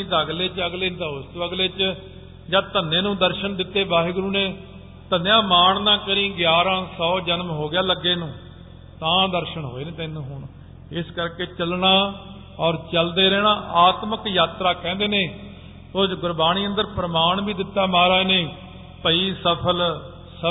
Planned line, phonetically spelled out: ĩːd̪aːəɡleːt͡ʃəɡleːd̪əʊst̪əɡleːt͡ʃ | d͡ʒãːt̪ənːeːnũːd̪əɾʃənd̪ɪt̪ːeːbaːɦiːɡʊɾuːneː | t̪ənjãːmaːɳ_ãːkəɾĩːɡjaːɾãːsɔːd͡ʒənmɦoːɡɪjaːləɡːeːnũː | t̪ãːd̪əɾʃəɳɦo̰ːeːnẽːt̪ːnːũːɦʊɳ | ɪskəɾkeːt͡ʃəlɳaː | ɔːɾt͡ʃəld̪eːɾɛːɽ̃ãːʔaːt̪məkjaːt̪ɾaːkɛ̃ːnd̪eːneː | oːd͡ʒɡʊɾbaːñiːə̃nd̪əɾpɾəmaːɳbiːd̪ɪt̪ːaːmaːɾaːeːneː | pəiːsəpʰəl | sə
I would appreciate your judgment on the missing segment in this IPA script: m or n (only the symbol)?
n